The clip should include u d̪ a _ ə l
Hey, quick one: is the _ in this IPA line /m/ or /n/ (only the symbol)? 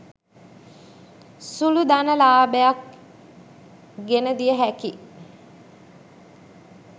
n